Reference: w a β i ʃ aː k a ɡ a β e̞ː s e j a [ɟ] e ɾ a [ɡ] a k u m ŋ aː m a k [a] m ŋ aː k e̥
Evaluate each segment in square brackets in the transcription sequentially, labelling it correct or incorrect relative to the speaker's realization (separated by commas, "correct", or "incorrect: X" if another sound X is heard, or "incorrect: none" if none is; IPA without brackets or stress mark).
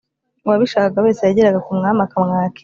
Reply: correct, correct, correct